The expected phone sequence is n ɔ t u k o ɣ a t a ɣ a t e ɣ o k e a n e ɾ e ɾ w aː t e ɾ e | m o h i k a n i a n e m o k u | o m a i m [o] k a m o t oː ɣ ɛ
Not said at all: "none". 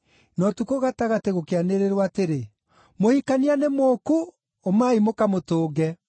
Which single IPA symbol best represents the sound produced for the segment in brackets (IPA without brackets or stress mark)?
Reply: o